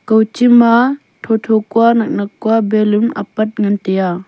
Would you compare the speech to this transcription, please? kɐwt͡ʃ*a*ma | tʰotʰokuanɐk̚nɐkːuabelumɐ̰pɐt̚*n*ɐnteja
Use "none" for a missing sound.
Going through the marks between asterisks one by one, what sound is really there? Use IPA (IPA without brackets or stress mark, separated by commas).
i, ŋ